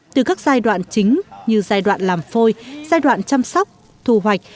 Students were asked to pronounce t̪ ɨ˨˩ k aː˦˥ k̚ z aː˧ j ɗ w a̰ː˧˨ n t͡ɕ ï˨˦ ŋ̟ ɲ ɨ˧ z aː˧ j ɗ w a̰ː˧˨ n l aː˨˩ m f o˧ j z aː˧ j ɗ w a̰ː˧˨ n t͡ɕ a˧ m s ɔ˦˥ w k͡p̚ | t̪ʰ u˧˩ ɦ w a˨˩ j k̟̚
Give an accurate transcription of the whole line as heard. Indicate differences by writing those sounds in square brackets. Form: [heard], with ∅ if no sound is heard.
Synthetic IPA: t̪ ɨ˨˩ k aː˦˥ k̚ z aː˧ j ɗ w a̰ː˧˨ n t͡ɕ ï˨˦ ŋ̟ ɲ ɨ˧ z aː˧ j ɗ w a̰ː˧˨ n l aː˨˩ m f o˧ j z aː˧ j ɗ w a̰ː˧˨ n t͡ɕ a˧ m s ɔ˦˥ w k͡p̚ | t̪ʰ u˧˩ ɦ w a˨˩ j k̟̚